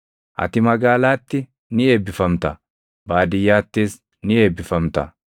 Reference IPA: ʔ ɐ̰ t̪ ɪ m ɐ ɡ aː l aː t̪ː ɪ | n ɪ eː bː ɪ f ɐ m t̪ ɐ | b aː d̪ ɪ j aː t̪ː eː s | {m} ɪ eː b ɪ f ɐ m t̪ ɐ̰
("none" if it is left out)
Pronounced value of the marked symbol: n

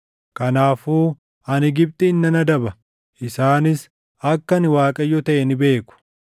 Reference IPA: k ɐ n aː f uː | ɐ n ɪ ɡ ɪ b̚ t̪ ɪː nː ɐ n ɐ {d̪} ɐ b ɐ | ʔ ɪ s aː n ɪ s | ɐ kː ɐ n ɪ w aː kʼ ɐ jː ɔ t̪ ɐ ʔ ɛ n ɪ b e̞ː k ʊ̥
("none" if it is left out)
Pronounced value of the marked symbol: d̪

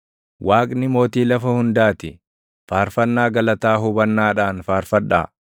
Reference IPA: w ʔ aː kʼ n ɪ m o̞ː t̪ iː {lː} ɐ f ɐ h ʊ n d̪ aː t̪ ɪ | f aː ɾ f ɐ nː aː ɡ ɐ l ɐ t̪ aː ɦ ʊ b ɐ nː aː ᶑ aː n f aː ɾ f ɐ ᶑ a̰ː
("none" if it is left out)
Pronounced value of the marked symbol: l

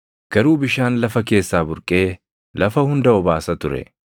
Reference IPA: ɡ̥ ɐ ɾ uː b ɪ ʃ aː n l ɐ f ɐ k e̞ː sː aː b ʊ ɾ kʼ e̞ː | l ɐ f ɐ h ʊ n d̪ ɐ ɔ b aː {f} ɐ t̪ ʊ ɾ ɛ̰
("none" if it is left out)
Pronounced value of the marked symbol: s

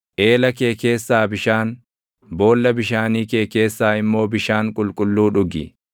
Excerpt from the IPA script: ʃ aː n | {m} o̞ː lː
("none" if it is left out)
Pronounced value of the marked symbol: b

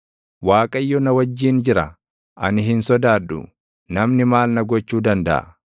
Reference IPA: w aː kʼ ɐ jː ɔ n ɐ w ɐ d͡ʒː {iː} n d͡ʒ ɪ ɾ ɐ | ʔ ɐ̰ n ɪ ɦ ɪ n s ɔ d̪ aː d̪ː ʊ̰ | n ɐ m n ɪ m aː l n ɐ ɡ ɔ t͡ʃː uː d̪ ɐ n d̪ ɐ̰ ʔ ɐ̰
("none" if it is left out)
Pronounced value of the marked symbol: iː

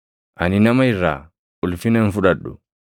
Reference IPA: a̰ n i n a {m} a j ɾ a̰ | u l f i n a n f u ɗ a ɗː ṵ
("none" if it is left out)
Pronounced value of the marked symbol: m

